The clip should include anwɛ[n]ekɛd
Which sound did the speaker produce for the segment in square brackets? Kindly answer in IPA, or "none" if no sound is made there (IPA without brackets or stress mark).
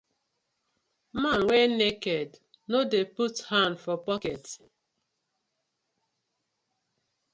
n